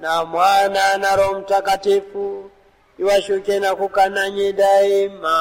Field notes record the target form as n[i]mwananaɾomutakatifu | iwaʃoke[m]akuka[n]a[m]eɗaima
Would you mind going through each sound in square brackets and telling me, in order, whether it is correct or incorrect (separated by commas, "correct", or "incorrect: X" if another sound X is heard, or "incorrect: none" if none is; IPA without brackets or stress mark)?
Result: incorrect: a, incorrect: n, correct, incorrect: ɲ